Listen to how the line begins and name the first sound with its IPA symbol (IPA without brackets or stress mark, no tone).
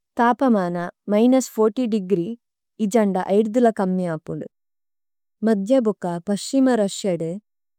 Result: t̪